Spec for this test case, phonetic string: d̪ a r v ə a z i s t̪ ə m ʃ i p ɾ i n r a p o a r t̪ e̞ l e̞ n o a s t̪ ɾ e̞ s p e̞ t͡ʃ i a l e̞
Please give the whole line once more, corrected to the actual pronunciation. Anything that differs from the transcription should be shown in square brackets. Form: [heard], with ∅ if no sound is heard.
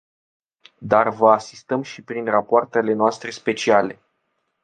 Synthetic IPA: d̪ a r v ə a [s] i s t̪ ə m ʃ i p ɾ i n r a p o a r t̪ e̞ l e̞ n o a s t̪ ɾ e̞ s p e̞ t͡ʃ i a l e̞